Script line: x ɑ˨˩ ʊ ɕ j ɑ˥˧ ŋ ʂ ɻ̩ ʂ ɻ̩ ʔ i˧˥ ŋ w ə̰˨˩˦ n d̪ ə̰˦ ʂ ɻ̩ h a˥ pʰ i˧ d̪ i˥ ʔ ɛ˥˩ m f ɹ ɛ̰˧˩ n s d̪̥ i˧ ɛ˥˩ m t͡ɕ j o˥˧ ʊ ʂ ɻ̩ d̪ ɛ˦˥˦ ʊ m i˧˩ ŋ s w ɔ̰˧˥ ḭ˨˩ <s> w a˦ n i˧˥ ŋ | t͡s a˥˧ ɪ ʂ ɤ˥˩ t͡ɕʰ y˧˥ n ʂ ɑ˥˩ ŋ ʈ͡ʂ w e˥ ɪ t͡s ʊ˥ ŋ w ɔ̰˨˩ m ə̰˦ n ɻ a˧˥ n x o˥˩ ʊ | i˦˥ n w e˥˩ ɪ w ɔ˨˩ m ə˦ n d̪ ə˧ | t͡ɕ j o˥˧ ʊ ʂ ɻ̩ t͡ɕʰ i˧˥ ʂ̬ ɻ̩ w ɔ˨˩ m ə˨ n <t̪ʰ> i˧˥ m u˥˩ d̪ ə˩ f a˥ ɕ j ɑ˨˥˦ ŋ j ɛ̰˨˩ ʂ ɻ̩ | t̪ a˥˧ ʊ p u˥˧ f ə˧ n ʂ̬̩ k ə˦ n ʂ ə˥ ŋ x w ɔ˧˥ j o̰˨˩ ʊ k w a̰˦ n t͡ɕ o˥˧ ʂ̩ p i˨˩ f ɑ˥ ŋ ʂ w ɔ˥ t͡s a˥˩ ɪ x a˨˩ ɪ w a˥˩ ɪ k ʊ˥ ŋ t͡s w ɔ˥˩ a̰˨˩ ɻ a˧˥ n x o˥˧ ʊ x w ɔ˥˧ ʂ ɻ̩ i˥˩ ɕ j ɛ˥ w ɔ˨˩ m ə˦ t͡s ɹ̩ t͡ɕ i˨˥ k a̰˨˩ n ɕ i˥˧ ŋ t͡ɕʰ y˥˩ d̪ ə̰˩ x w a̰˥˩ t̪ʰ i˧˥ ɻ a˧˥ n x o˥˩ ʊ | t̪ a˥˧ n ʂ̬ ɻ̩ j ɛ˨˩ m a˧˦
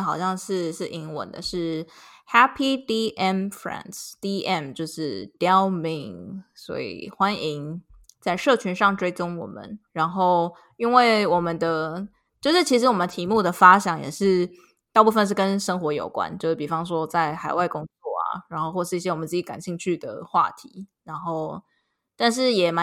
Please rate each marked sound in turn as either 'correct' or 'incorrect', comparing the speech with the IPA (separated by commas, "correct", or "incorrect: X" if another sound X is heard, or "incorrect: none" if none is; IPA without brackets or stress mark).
incorrect: x, correct